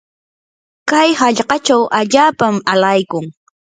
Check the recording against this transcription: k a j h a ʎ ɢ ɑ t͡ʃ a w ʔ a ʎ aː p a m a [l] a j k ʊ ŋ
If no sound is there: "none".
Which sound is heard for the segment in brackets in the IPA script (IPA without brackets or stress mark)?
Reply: l